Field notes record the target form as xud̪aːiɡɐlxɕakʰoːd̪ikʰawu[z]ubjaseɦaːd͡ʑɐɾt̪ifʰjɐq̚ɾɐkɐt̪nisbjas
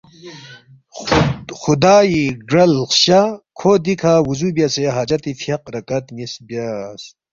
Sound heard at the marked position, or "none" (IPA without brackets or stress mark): z